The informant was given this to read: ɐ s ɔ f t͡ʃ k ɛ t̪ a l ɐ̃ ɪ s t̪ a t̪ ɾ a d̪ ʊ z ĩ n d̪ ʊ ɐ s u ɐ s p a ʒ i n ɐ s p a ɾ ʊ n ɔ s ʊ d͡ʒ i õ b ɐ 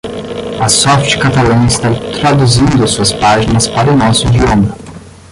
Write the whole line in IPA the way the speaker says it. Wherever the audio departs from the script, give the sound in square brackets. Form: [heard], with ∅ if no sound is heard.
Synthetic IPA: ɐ s ɔ f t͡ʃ k [a] t̪ a l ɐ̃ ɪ s t̪ a t̪ ɾ a d̪ [u] z ĩ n d̪ ʊ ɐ s u ɐ s p a ʒ i n ɐ s p a ɾ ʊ n ɔ s ʊ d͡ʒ i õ [m] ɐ